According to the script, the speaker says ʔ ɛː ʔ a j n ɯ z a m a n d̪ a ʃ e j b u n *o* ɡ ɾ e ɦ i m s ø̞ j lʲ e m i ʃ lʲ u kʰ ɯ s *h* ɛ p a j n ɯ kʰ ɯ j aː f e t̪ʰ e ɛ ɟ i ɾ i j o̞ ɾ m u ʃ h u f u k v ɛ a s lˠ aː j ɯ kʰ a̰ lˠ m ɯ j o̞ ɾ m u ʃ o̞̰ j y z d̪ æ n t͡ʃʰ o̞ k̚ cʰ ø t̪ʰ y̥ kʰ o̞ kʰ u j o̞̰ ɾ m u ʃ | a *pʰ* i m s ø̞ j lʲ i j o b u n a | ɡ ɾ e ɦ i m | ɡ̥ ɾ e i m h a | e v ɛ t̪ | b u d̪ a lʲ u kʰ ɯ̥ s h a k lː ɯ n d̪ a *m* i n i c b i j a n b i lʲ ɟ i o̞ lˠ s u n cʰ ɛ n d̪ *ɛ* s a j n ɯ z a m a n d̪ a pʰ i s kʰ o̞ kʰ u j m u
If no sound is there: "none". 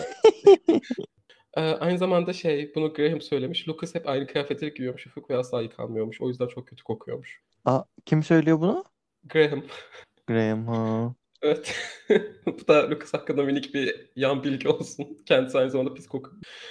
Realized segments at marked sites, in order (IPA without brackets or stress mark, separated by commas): u, h, cʰ, m, i